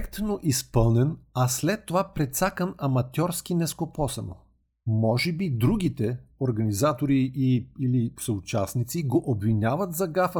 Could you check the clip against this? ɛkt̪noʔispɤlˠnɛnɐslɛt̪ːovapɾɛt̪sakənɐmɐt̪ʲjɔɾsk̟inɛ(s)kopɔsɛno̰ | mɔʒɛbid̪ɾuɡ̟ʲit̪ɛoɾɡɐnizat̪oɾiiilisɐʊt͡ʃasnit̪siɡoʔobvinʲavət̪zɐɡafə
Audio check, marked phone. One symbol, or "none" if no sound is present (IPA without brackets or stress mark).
s